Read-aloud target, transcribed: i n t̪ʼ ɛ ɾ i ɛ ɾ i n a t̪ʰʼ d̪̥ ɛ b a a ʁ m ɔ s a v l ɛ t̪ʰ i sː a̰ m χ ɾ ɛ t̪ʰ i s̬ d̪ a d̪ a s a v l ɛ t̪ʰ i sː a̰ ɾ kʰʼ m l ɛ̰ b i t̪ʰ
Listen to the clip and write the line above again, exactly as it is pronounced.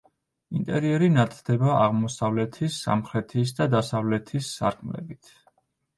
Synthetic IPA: i n t̪ʼ ɛ ɾ i ɛ ɾ i n a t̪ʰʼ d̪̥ ɛ b a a ʁ m ɔ s a v l ɛ t̪ʰ i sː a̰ m χ ɾ ɛ t̪ʰ i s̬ d̪ a d̪ a s a v l ɛ t̪ʰ i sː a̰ ɾ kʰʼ m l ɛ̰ b i t̪ʰ